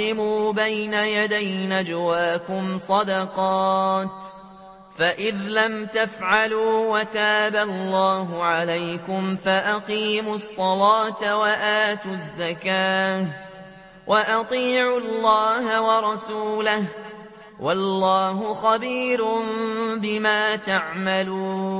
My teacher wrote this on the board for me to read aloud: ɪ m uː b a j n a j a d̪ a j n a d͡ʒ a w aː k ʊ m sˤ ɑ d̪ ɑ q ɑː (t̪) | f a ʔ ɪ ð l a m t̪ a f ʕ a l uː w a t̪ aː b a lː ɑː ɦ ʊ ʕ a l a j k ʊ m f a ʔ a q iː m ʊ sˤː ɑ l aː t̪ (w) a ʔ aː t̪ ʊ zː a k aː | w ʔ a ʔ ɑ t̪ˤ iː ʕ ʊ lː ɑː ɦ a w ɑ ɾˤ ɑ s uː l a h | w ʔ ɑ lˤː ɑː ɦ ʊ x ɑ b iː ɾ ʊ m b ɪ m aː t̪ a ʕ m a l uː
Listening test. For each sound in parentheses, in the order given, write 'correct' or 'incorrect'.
correct, correct

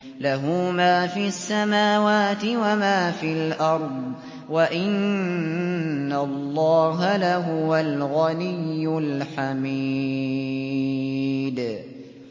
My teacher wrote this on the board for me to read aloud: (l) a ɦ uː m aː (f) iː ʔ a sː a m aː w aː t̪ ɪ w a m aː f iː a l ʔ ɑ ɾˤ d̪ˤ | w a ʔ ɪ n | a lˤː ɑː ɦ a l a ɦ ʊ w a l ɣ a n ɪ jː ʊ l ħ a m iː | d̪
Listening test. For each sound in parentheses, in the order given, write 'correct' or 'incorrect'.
correct, correct

